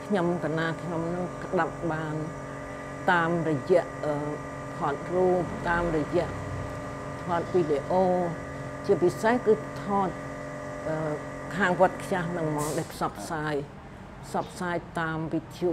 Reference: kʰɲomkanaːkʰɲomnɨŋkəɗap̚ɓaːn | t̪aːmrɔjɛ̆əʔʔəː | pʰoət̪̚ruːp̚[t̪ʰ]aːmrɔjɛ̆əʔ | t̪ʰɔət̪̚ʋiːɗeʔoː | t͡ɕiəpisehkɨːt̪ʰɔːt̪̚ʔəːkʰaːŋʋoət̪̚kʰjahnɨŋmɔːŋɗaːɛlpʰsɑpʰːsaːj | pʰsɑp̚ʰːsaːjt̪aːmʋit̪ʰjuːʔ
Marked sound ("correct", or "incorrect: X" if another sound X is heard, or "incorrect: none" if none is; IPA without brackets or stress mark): incorrect: t̪